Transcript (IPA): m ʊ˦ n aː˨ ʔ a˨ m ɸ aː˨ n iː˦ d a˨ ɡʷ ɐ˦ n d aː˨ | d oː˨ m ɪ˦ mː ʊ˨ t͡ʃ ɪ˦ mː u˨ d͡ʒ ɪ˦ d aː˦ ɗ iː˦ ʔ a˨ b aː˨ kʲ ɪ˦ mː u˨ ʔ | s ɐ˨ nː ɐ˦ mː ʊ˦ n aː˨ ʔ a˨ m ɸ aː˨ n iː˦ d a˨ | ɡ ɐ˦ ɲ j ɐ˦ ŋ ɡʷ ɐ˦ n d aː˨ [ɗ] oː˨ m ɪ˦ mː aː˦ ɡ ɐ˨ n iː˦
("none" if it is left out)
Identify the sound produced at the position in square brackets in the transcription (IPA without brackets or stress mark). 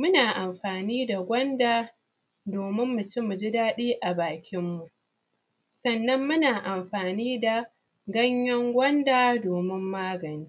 d